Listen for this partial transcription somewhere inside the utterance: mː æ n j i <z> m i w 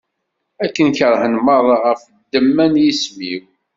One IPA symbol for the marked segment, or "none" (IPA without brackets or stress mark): s